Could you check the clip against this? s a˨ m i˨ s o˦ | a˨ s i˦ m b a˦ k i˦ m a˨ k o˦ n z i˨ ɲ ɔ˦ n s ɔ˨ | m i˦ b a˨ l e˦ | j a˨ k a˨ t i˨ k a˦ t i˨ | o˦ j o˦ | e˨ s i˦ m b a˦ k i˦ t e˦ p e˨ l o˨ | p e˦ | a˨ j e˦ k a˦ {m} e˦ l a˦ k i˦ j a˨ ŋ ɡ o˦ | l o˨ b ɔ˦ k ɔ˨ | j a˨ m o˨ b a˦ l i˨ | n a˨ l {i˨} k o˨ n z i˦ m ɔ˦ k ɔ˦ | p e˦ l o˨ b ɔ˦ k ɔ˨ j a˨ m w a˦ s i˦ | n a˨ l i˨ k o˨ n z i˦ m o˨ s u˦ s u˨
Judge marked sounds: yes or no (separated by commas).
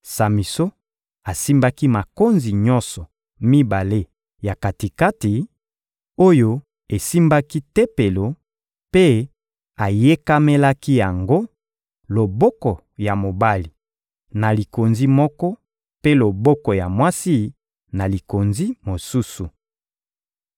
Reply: yes, yes